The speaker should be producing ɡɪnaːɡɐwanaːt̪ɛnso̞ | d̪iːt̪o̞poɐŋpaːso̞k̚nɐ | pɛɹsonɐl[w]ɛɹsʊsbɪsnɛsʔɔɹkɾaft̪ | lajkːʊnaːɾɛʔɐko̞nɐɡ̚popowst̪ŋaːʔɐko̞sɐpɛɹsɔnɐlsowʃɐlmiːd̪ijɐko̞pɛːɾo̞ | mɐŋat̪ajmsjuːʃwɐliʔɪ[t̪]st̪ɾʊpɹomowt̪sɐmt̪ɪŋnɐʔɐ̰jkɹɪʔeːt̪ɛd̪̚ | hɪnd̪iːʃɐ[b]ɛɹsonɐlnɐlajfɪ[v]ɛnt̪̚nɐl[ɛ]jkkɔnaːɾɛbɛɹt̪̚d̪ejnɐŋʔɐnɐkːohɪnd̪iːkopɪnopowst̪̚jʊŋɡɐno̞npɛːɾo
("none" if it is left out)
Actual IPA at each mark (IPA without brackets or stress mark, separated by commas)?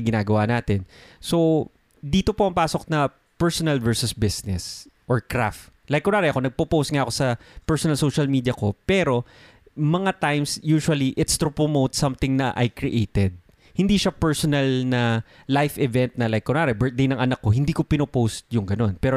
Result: v, t̪, p, v, a